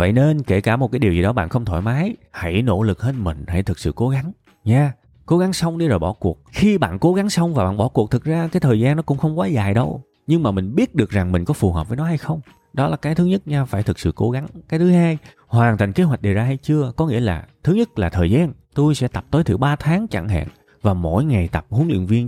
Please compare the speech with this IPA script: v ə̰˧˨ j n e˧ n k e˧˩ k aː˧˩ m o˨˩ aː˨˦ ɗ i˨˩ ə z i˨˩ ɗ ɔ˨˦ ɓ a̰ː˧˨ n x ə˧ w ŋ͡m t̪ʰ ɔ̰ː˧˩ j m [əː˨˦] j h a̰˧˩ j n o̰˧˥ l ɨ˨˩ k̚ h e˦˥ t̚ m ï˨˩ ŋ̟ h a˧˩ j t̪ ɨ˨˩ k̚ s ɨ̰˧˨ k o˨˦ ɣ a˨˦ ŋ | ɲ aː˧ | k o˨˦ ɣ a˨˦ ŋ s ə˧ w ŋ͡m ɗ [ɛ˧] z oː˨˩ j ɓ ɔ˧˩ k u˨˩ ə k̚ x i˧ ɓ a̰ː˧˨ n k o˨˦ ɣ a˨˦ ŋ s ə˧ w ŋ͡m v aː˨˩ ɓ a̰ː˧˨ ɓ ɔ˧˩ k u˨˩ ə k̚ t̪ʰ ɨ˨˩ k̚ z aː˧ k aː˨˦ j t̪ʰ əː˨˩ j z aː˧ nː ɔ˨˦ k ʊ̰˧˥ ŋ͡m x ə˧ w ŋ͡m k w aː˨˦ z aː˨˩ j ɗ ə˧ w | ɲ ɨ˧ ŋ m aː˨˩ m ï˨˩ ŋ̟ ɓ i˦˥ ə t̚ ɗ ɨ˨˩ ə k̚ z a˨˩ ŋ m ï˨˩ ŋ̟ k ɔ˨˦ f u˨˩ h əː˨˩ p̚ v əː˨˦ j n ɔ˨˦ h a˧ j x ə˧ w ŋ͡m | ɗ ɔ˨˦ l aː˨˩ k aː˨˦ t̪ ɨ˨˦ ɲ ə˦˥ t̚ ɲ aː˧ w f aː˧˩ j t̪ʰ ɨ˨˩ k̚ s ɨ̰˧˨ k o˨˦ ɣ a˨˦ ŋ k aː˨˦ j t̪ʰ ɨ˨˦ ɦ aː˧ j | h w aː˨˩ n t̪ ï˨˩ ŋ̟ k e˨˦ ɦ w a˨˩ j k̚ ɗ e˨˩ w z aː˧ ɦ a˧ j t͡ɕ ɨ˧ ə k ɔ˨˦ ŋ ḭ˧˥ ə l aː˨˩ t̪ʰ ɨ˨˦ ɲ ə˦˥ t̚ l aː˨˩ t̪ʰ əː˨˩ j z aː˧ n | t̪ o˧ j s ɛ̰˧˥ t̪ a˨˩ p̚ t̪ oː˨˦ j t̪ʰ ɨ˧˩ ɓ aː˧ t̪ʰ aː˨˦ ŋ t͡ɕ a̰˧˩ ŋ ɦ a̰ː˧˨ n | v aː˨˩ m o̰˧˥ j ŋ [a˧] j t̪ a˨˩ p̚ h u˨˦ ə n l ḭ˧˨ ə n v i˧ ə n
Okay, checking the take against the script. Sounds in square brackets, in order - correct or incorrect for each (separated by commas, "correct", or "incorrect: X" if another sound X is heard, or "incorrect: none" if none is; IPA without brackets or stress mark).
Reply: incorrect: aː˨˦, incorrect: i˧, incorrect: a˨˩